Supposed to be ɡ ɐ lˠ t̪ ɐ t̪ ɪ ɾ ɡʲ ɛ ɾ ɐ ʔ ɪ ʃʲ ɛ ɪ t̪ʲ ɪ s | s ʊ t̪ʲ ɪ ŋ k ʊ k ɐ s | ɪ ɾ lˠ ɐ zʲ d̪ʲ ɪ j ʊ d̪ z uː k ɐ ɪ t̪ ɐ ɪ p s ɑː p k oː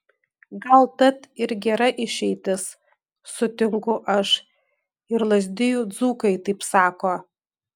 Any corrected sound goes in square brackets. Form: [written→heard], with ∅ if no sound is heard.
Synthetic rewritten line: ɡ ɐ lˠ t̪ ɐ t̪ ɪ ɾ ɡʲ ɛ ɾ ɐ ʔ ɪ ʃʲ ɛ ɪ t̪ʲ ɪ s | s ʊ t̪ʲ ɪ ŋ k ʊ [k→ʔ] ɐ [s→ʃ] | ɪ ɾ lˠ ɐ zʲ d̪ʲ ɪ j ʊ d̪ z uː k ɐ ɪ t̪ ɐ ɪ p s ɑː [p→∅] k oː